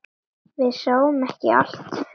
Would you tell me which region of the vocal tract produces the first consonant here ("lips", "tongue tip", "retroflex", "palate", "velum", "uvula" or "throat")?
lips